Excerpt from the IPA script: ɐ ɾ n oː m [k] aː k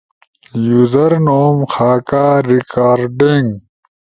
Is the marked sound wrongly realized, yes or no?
yes